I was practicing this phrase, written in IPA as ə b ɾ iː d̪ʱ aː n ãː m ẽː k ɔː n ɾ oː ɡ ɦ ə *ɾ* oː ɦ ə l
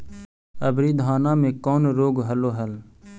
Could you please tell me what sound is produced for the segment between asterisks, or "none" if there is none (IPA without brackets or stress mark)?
l